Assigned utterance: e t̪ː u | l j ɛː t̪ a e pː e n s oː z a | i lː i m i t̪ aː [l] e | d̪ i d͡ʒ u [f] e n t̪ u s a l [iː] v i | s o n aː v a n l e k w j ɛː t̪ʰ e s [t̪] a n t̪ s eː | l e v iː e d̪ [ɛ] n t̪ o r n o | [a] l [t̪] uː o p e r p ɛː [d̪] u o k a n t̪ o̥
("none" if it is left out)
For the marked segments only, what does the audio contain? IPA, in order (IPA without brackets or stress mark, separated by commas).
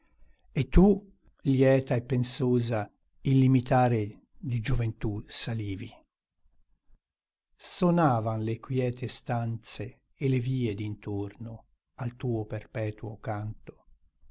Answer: ɾ, v, iː, t̪, i, a, t̪, t̪